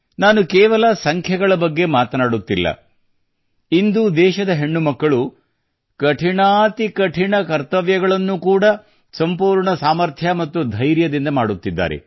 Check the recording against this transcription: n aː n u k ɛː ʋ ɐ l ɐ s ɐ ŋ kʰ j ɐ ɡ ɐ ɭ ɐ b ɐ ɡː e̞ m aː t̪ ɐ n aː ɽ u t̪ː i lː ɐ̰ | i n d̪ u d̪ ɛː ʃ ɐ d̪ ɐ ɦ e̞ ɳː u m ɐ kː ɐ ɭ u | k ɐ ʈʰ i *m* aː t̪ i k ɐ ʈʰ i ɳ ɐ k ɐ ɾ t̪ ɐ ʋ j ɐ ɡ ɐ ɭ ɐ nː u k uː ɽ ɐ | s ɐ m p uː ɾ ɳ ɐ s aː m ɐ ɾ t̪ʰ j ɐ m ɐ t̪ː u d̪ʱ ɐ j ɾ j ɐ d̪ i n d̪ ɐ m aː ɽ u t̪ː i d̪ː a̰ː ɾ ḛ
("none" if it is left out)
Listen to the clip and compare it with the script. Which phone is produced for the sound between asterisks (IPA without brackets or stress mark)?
ɳ